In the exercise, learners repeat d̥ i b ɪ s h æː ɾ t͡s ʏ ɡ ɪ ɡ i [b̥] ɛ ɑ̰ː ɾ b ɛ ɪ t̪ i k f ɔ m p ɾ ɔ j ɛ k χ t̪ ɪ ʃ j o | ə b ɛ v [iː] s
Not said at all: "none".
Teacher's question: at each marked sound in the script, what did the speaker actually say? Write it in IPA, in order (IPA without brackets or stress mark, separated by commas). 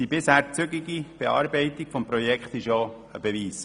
b̥, iː